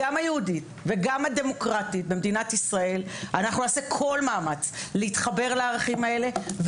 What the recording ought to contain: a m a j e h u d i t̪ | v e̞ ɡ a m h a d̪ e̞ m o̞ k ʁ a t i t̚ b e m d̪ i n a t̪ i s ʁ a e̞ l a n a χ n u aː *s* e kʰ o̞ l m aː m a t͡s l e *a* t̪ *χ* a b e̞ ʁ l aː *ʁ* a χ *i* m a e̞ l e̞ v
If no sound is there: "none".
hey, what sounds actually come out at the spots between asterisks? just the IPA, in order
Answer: s, i, χ, ʁ, i

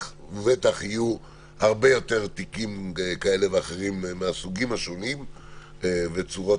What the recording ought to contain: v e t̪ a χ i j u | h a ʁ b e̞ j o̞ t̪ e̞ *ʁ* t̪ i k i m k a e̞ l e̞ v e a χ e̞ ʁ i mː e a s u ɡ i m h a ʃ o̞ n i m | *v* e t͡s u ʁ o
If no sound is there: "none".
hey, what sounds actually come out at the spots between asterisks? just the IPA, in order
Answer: ʁ, v

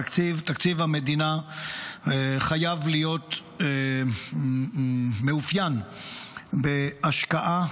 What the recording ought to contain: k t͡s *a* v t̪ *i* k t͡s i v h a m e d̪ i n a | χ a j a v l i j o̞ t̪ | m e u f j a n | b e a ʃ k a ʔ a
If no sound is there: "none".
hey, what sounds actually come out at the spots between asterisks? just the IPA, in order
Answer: i, a

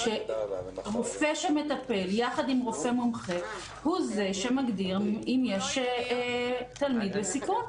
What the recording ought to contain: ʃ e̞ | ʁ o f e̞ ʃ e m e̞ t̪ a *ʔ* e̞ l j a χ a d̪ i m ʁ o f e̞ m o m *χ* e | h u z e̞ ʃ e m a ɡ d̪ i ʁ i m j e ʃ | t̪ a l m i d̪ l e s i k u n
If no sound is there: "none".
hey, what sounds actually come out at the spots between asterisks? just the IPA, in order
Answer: p, χ

